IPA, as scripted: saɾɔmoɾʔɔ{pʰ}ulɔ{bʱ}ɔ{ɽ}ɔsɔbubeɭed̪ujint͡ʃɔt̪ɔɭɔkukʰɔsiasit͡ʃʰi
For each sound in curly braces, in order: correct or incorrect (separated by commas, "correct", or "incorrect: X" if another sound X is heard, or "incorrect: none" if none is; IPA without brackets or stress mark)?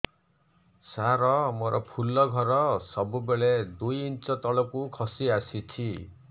correct, incorrect: ɡʱ, incorrect: ɾ